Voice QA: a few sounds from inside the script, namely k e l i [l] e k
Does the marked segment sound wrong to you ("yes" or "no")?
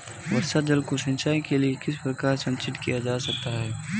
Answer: yes